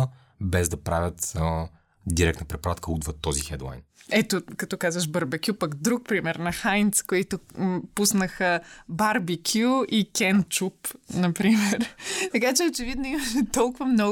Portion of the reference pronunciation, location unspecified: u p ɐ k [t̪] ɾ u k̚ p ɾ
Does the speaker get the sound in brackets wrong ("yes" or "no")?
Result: yes